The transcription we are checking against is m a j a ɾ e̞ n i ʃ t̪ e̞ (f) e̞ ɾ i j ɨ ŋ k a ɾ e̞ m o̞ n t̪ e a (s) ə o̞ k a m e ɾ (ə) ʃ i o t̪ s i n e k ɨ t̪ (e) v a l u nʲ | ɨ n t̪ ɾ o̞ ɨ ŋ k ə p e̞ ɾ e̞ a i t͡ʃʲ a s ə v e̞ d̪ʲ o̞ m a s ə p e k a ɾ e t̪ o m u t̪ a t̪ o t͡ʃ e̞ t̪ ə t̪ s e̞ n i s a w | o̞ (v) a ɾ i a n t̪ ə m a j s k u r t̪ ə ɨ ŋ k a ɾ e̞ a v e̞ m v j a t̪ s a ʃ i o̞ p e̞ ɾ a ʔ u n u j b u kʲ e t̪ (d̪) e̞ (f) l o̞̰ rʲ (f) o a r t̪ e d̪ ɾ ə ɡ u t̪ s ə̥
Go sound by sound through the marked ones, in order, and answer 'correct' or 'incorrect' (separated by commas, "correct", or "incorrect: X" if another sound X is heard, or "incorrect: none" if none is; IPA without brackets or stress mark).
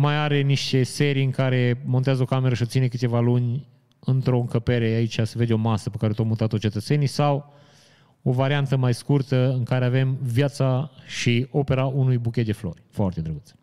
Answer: incorrect: s, incorrect: z, correct, correct, correct, correct, correct, correct